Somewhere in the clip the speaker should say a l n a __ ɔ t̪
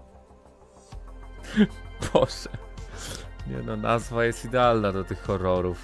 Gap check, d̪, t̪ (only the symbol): d̪